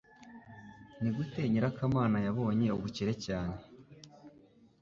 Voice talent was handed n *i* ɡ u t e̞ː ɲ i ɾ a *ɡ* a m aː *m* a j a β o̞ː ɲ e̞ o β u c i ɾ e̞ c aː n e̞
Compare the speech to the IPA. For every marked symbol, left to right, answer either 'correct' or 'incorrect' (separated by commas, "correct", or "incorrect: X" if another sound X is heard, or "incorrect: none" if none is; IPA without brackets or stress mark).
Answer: correct, incorrect: k, incorrect: n